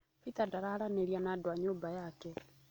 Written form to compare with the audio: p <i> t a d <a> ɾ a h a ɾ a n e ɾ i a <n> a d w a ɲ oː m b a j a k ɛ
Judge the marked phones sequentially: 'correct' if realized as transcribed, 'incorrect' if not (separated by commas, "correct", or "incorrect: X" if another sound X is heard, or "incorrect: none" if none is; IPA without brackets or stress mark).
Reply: correct, correct, correct